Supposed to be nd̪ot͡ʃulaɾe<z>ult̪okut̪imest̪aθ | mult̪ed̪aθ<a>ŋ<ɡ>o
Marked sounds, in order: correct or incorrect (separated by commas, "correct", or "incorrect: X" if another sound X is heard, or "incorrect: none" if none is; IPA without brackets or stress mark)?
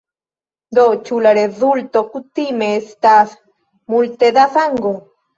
incorrect: ð, correct, correct